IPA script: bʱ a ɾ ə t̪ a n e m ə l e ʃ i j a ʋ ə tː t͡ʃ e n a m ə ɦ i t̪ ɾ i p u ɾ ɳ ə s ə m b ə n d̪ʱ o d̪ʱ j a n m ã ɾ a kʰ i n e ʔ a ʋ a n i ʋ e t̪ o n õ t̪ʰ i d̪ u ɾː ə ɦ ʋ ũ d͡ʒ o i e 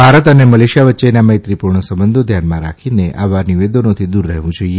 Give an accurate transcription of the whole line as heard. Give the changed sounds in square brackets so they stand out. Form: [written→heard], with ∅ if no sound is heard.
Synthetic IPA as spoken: bʱ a ɾ ə t̪ [a→ə] n e m ə l e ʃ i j a ʋ ə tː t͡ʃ e n a m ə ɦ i t̪ ɾ i p u ɾ ɳ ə s ə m b ə n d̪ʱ o d̪ʱ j a n m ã ɾ a kʰ i n e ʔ a ʋ a n i ʋ e [t̪→d̪] o n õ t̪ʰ i d̪ u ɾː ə ɦ ʋ ũ d͡ʒ o i e